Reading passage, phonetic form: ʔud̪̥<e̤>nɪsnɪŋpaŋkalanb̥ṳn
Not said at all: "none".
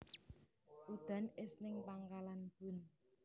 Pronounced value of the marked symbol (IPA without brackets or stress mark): a̤